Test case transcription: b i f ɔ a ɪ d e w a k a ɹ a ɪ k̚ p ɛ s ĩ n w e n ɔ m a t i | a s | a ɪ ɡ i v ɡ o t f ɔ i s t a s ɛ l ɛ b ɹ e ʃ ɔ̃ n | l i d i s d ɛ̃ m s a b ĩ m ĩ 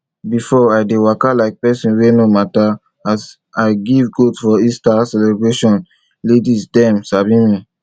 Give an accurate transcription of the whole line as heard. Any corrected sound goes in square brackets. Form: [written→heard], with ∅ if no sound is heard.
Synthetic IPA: b i f ɔ a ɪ d e w a k a [ɹ→l] a ɪ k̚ p ɛ s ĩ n w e n [ɔ→o] m a t [i→a] | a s | a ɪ ɡ i v ɡ o t f ɔ i s t a s ɛ l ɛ b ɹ e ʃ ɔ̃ n | l [i→e] d i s d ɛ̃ m s a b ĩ m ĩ